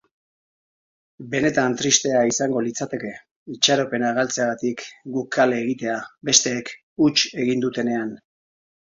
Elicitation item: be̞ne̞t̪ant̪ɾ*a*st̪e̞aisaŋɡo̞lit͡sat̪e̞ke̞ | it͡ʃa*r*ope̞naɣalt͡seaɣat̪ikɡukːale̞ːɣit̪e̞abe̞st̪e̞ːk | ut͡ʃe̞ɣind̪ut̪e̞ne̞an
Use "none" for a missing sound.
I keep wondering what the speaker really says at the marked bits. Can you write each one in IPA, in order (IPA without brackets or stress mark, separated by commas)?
i, ɾ